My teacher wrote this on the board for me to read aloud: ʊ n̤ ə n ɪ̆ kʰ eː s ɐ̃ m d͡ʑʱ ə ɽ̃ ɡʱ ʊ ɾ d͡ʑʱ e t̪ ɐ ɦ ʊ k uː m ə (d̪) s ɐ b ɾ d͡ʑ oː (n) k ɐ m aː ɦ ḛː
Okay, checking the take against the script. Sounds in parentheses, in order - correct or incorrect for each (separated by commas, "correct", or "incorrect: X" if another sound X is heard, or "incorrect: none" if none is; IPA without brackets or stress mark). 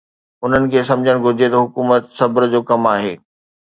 incorrect: t̪, incorrect: none